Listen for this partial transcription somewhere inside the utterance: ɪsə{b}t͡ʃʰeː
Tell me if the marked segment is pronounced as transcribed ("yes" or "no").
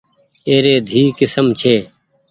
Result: no